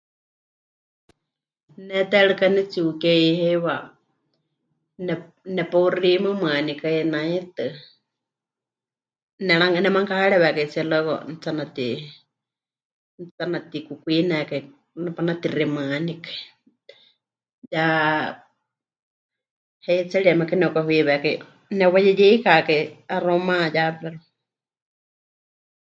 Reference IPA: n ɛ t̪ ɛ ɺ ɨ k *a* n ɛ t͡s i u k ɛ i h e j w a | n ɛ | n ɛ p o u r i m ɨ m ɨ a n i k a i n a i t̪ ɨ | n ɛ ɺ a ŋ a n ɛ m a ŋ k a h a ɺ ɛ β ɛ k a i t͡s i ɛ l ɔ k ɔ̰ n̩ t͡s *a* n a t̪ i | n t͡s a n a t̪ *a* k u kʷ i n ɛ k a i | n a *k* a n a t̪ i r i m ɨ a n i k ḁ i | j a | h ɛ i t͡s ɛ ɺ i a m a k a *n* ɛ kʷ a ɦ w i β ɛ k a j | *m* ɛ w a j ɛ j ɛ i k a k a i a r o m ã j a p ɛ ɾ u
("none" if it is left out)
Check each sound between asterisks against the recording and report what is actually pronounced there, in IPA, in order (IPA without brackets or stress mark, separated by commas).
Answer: a, a, i, p, n, n